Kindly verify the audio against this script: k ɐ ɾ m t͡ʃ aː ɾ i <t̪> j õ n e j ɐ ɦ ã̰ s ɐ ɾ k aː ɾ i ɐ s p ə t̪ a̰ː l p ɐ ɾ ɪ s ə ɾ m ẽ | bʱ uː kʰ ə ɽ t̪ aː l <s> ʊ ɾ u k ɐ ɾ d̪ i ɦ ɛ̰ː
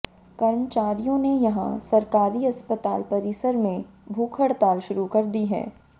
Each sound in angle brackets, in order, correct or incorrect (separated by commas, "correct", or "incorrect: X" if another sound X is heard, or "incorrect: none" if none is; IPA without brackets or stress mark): incorrect: none, incorrect: ʃ